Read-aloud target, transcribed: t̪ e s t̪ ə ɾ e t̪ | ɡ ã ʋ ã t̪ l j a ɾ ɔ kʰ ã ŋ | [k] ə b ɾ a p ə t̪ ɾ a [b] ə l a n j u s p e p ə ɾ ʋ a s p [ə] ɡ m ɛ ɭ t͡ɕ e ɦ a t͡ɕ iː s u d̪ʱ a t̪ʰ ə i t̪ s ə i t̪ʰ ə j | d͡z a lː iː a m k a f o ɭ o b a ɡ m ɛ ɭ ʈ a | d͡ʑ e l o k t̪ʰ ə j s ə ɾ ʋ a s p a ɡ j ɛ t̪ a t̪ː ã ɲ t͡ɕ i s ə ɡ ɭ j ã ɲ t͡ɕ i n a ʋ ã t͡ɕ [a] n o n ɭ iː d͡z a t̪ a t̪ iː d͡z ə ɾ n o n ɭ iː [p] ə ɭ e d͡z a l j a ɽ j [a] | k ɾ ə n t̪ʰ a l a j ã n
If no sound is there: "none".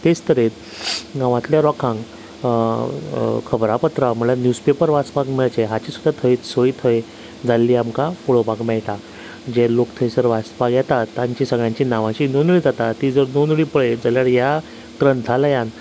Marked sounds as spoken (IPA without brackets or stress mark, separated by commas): kʰ, m, a, i, p, a